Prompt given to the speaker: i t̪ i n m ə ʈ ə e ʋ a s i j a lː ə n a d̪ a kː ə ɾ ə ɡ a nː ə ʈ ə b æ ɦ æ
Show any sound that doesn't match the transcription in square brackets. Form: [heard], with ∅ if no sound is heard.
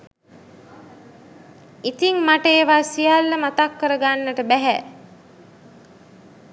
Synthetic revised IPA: i t̪ i [ŋ] m [a] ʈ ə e ʋ a s i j a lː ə [m] a [t̪] a kː ə ɾ ə ɡ a nː ə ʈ ə b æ ɦ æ